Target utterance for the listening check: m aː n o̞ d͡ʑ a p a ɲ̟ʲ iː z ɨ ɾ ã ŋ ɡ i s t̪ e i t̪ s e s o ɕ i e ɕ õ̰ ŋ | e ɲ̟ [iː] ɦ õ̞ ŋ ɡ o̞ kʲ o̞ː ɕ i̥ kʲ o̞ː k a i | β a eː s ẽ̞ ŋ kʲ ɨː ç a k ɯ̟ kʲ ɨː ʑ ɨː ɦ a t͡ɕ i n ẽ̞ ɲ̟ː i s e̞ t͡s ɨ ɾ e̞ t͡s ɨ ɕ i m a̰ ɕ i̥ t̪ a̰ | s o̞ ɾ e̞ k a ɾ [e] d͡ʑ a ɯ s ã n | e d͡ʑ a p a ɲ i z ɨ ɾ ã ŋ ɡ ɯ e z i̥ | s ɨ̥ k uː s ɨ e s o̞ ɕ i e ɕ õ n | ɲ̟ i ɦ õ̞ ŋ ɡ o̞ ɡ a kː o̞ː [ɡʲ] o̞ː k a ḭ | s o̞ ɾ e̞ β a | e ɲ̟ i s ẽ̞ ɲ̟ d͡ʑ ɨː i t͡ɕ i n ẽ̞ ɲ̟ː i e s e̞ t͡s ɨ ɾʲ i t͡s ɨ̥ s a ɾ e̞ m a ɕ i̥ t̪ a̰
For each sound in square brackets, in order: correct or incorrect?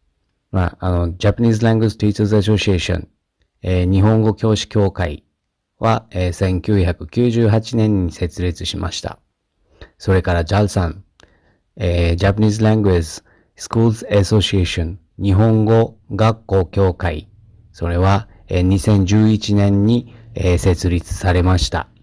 incorrect: i, incorrect: a, incorrect: kʲ

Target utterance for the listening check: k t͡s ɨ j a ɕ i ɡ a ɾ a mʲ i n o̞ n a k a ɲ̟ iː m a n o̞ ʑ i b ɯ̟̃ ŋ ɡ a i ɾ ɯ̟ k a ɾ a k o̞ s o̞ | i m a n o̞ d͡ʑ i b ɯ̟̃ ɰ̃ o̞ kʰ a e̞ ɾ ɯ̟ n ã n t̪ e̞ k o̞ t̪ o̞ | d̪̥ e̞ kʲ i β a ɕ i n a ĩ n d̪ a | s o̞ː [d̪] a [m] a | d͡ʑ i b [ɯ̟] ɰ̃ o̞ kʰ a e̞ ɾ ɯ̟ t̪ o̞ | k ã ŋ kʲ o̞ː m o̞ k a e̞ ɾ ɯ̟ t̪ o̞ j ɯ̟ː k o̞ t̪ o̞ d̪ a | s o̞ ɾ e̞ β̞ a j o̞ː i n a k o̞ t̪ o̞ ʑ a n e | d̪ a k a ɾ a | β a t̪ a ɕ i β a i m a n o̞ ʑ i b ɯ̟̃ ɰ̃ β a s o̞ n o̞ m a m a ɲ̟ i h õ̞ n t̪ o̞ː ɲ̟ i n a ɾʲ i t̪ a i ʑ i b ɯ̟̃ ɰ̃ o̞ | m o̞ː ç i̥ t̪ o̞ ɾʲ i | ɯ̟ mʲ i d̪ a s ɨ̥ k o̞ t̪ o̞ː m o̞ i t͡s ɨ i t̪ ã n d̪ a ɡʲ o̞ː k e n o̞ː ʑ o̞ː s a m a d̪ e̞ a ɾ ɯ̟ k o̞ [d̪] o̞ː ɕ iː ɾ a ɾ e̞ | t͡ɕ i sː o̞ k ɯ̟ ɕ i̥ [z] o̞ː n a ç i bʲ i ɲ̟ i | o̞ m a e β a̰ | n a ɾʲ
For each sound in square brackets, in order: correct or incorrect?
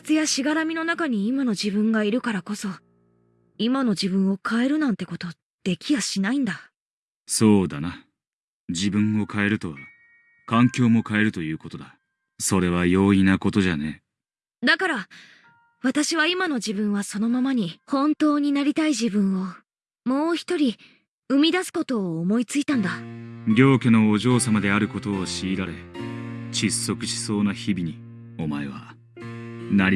correct, incorrect: n, incorrect: ɯ̟̃, incorrect: t̪, incorrect: s

